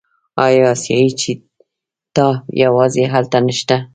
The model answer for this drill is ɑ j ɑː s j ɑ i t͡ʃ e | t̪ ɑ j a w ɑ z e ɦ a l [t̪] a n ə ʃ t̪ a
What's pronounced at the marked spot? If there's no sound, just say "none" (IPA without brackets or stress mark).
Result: t̪